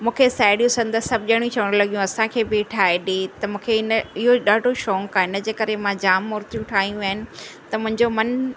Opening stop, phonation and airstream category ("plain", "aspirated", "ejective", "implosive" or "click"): aspirated